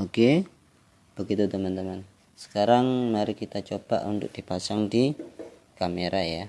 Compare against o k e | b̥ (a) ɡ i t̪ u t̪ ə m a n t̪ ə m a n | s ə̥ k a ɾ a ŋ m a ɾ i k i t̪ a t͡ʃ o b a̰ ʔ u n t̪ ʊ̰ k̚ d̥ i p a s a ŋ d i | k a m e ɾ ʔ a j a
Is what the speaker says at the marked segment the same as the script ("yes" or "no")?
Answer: no